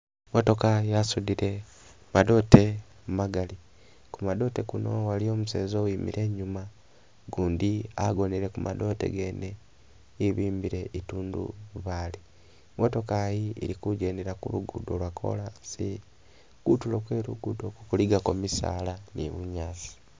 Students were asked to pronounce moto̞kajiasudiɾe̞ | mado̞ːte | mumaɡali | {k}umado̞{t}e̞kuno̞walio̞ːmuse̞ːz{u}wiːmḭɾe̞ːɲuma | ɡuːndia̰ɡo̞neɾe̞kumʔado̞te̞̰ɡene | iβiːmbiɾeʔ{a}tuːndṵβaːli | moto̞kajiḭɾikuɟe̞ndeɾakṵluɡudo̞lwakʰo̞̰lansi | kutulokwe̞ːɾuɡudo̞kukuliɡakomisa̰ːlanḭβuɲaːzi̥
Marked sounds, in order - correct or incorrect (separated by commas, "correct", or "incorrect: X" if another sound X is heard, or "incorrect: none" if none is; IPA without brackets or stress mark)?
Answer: correct, correct, incorrect: o, incorrect: i